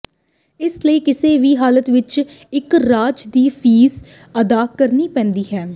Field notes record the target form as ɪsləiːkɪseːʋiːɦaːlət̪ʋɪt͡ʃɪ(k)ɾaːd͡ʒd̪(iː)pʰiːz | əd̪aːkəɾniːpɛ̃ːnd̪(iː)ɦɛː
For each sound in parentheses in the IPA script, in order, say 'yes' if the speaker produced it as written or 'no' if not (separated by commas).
yes, yes, yes